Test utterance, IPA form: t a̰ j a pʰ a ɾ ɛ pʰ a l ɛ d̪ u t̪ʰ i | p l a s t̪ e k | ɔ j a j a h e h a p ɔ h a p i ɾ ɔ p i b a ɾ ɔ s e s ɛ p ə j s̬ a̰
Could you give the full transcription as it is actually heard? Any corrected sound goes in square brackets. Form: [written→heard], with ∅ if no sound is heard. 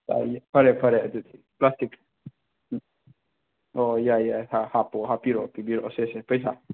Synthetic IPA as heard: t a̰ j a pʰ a ɾ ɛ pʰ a [l→ɾ] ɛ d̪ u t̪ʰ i | p l a s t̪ [e→i] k | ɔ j a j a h [e→a] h a p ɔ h a p i ɾ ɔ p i b [a→i] ɾ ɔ s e s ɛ p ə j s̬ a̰

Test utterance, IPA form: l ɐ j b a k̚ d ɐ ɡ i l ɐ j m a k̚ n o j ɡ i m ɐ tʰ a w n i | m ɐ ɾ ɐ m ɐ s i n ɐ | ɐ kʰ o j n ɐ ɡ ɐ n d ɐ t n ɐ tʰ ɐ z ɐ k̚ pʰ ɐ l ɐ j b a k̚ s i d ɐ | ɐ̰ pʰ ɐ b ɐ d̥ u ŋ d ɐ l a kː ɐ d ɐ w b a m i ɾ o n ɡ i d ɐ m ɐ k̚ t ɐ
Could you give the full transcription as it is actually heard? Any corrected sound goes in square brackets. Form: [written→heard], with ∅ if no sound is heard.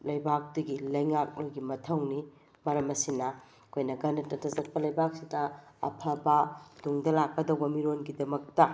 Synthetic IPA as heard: l ɐ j b a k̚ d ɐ ɡ i l ɐ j [m→ŋ] a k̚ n o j ɡ i m ɐ tʰ [a→ɐ] w n i | m ɐ ɾ ɐ m ɐ s i n ɐ | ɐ kʰ o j n ɐ ɡ ɐ n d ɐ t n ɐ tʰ ɐ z ɐ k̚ [pʰ→p] ɐ l ɐ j b a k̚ s i d ɐ | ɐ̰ pʰ ɐ b ɐ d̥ u ŋ d ɐ l a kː ɐ d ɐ w b [a→ɐ] m i ɾ o n ɡ i d ɐ m ɐ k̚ t ɐ

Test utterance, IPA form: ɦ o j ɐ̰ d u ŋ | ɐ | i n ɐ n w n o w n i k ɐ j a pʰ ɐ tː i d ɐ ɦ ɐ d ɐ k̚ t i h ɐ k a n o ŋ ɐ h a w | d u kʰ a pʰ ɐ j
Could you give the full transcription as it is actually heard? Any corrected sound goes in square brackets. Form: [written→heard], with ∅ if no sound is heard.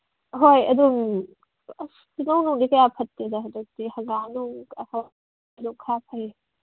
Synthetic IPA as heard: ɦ o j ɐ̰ d u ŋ | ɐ | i n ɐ [n→∅] w n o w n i k ɐ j a pʰ ɐ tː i d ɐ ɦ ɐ d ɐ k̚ t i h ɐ [k→ɡ] a n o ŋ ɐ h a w | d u kʰ a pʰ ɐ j

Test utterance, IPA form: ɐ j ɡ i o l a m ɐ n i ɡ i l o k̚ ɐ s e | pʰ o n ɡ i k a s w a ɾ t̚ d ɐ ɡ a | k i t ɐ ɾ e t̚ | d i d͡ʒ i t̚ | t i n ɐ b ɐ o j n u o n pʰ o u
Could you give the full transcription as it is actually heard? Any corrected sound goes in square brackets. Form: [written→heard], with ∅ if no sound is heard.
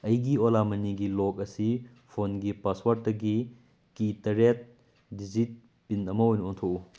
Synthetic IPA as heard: ɐ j ɡ i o l a m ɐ n i ɡ i l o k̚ ɐ s [e→i] | pʰ o n ɡ i [k→p] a s w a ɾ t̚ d ɐ ɡ [a→i] | k i t ɐ ɾ e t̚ | d i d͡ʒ i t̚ | [t→p] i n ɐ [b→m] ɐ o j n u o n [pʰ→tʰ] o u

